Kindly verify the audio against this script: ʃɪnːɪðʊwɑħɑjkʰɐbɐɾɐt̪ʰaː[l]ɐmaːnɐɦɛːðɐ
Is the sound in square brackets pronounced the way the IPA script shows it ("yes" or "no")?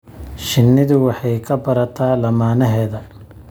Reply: yes